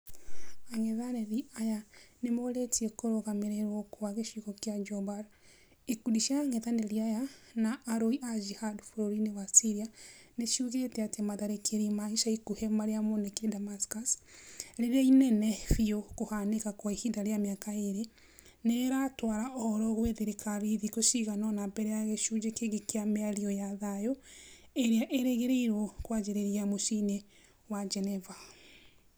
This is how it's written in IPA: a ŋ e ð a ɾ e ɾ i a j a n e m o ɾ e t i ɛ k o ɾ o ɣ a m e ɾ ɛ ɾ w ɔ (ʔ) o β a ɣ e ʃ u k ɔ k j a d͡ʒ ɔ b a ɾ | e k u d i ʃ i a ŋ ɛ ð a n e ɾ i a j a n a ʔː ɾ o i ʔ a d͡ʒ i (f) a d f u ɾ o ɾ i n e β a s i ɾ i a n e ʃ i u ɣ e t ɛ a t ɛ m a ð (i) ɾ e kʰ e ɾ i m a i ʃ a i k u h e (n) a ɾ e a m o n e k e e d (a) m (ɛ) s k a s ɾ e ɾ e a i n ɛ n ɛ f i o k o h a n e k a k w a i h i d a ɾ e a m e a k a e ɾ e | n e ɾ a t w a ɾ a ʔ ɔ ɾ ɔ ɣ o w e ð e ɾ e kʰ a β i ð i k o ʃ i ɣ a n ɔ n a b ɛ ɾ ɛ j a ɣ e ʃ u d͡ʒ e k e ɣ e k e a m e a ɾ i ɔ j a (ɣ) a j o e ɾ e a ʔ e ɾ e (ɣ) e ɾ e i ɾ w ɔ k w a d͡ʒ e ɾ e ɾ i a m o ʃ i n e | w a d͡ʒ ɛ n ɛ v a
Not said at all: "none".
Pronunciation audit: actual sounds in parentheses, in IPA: k, h, a, m, a, a, ð, ɣ

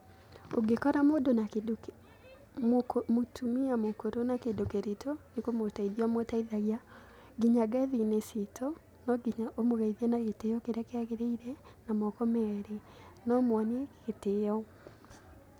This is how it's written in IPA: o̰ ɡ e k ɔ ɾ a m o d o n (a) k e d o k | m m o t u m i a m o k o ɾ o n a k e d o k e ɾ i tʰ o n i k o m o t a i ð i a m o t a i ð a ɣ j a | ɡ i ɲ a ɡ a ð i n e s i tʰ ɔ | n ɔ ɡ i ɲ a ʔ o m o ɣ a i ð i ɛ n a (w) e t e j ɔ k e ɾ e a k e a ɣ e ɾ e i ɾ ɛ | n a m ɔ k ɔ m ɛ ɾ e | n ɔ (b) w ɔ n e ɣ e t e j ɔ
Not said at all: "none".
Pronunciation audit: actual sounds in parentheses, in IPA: a, ɣ, m

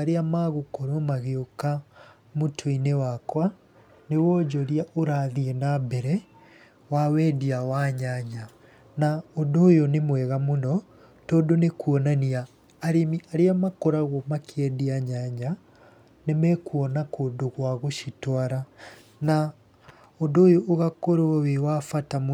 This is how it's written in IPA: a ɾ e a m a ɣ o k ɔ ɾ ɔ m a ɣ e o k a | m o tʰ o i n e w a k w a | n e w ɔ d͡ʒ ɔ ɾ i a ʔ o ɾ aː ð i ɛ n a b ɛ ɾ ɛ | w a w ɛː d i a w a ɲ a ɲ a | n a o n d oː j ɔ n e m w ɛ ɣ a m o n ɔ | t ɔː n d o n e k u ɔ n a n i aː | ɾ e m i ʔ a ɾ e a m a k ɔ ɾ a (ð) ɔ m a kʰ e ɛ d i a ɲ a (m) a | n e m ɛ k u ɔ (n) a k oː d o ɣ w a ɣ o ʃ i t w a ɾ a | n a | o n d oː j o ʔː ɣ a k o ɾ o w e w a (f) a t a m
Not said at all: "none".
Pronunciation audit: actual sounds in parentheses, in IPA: ɣ, ɲ, n, f

